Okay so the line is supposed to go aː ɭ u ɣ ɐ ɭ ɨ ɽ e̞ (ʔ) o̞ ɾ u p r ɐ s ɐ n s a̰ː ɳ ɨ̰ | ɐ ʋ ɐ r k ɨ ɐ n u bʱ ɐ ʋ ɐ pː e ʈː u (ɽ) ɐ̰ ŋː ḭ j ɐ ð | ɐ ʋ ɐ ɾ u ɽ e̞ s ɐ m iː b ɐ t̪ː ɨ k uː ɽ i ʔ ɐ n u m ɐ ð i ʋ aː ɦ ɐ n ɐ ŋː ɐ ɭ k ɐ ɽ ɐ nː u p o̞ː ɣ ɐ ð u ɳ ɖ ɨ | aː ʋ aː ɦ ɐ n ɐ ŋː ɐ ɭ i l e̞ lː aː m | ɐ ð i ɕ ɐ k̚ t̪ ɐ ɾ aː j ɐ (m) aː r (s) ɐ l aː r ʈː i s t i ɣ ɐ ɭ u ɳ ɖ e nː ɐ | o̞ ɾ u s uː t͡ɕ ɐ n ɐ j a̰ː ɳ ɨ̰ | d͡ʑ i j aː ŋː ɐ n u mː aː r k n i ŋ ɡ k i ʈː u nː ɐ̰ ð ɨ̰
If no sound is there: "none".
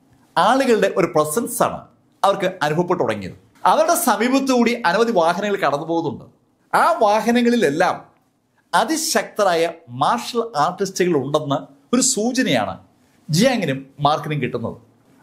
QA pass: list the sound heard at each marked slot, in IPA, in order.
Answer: ʔ, ɽ, m, ʂ

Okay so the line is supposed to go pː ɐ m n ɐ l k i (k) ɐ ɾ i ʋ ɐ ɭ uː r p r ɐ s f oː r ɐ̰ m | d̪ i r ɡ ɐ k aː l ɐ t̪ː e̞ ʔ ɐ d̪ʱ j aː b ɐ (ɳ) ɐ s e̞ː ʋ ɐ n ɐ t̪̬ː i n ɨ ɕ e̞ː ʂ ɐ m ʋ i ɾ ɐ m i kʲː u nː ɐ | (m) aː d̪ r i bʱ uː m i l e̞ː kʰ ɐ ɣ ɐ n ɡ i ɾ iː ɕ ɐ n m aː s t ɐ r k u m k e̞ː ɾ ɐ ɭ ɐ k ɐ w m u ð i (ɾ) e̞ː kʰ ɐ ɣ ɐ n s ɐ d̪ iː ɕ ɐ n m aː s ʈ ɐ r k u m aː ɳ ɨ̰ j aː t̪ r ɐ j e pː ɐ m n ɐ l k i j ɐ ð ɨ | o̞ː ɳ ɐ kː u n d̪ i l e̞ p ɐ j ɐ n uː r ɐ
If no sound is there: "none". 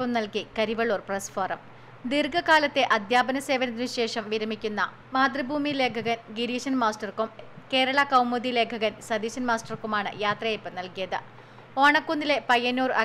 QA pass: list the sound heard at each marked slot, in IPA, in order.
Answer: k, n, m, l

